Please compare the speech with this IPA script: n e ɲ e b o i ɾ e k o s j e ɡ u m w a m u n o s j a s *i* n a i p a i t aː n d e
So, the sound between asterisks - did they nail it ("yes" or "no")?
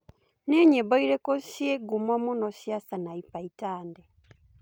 no